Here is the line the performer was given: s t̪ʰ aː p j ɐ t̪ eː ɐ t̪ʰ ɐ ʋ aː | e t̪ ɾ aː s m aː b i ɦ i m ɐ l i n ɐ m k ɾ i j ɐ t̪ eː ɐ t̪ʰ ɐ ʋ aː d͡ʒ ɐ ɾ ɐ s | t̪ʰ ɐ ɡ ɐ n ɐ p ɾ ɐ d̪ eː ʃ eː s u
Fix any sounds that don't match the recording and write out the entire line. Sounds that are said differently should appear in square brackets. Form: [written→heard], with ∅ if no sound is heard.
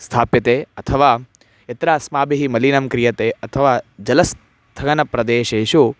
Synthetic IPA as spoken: s t̪ʰ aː p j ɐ t̪ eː ɐ t̪ʰ ɐ ʋ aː | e t̪ ɾ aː s m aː b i ɦ i m ɐ l i n ɐ m k ɾ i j ɐ t̪ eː ɐ t̪ʰ ɐ ʋ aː d͡ʒ ɐ [ɾ→l] ɐ s | t̪ʰ ɐ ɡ ɐ n ɐ p ɾ ɐ d̪ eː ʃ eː [s→ʃ] u

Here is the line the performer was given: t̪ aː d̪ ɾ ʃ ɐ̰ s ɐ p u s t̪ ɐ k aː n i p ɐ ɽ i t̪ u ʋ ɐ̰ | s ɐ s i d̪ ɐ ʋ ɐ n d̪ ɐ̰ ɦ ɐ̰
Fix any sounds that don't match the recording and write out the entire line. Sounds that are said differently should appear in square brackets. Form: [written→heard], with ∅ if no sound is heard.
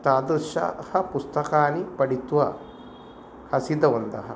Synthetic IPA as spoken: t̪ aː d̪ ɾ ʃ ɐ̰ [s→h] ɐ p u s t̪ ɐ k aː n i p ɐ ɽ i t̪ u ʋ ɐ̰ | [s→h] ɐ s i d̪ ɐ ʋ ɐ n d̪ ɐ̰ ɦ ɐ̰

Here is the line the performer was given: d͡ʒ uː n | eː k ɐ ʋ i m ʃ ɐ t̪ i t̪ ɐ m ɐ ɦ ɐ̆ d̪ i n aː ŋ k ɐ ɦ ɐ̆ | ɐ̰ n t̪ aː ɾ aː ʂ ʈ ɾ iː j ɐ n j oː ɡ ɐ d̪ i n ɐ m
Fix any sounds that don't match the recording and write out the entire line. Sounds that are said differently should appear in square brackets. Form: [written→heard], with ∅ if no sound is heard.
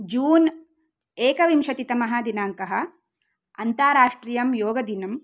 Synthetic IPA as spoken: d͡ʒ uː n | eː k ɐ ʋ i m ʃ ɐ t̪ i t̪ ɐ m ɐ ɦ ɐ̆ d̪ i n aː ŋ k ɐ ɦ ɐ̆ | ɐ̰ n t̪ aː ɾ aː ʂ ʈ ɾ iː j ɐ [n→m] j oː ɡ ɐ d̪ i n ɐ m

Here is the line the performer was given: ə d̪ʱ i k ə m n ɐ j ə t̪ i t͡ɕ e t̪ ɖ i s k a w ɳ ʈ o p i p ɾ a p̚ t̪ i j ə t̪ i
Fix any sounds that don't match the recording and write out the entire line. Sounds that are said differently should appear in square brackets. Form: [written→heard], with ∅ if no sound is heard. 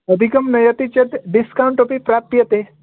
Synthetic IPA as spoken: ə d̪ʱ i k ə m n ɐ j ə t̪ i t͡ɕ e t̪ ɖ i s k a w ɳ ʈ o p i p ɾ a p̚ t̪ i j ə t̪ [i→e]

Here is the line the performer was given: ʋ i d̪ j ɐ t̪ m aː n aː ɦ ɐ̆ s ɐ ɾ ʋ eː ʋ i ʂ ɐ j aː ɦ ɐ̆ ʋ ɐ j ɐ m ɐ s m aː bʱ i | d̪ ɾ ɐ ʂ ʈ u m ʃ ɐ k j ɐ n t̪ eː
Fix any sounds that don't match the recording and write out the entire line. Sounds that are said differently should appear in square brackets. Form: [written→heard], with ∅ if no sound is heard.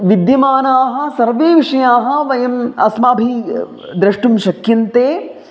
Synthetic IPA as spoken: ʋ i d̪ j ɐ [t̪→∅] m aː n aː ɦ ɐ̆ s ɐ ɾ ʋ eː ʋ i ʂ ɐ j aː ɦ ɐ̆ ʋ ɐ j ɐ m ɐ s m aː bʱ i | d̪ ɾ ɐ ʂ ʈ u m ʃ ɐ k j ɐ n t̪ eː

